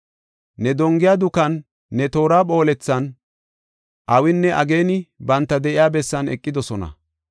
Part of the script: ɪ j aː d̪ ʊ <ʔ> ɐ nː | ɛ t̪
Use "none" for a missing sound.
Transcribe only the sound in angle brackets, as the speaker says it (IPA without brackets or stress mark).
k